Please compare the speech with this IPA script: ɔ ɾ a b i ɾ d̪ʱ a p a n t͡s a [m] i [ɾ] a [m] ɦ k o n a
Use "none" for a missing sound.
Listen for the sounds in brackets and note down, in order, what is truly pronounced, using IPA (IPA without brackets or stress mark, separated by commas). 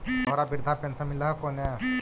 m, l, none